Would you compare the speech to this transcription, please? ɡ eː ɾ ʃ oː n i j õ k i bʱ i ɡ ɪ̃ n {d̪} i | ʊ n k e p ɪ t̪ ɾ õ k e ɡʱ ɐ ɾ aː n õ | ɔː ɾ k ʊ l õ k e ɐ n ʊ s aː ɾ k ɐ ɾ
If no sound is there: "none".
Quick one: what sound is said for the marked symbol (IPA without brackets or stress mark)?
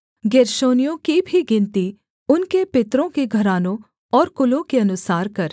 t̪